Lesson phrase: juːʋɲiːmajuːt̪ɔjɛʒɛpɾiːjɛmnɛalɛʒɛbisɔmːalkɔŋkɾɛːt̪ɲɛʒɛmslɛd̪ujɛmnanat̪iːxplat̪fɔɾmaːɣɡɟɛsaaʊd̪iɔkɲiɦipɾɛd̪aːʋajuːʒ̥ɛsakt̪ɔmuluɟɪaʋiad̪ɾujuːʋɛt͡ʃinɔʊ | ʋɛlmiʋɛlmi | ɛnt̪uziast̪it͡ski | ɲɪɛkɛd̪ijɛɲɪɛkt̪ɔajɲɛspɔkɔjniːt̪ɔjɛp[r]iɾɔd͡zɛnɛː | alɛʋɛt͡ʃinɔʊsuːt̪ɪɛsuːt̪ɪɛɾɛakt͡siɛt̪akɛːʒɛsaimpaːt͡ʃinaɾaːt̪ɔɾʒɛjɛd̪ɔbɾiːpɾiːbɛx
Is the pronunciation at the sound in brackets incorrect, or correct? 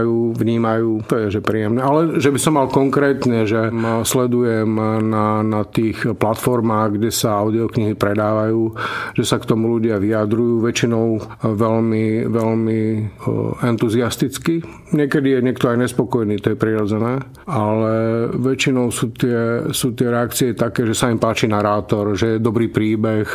incorrect: ɾ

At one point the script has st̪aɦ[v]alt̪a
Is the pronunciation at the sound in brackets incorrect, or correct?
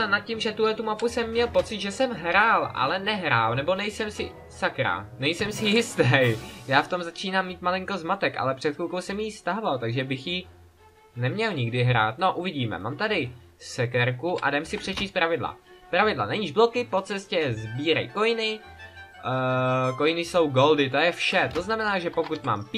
correct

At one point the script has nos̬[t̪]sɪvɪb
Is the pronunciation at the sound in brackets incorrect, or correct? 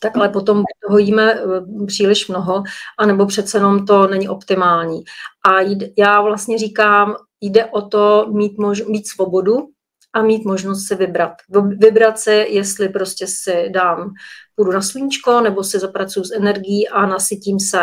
correct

